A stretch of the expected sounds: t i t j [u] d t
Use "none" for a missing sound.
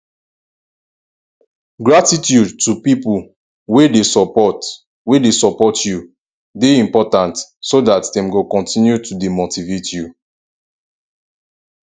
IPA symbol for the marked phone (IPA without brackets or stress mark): u